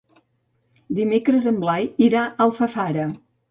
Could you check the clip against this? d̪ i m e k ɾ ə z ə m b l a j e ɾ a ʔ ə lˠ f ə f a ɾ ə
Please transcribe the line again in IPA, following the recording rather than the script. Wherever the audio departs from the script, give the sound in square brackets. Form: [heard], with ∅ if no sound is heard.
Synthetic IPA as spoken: d̪ i m e k ɾ ə z ə m b l a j [i] ɾ a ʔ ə lˠ f ə f a ɾ ə